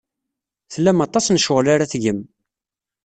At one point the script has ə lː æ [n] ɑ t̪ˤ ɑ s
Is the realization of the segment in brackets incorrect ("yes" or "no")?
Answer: yes